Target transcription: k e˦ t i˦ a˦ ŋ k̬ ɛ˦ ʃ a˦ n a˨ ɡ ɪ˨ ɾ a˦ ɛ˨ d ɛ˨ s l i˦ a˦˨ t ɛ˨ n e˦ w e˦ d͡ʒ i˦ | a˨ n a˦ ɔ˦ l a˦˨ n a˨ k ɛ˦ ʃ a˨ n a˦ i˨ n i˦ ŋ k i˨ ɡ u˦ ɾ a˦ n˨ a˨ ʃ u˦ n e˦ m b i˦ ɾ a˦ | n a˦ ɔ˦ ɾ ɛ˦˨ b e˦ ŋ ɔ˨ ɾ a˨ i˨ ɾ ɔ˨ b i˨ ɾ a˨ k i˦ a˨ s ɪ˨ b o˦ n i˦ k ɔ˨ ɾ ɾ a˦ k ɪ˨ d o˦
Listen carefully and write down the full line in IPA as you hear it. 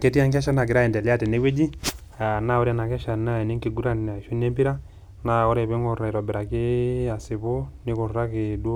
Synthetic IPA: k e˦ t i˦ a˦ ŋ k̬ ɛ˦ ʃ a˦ n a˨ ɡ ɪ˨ ɾ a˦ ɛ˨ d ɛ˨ l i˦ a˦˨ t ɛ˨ n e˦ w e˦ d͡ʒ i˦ | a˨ n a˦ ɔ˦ ɾ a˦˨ n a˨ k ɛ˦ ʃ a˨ n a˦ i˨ n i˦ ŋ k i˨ ɡ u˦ ɾ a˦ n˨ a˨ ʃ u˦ n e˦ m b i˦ ɾ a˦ | n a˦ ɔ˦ ɾ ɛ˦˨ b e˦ ŋ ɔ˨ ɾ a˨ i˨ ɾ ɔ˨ b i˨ ɾ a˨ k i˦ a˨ s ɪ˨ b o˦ n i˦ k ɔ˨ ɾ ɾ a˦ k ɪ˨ d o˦